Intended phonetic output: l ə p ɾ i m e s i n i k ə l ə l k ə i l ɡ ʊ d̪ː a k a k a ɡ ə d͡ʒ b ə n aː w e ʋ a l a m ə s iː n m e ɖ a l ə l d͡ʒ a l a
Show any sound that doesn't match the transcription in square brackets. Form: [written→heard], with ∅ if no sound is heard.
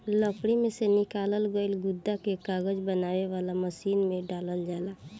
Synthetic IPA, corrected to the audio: l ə p [ɾ→ɽ] i m e s [i→e] n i k [ə→a] l ə l [k→ɡ] ə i l ɡ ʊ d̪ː a k [a→e] k a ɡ ə d͡ʒ b ə n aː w e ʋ a l a m ə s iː n m e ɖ a l ə l d͡ʒ a l a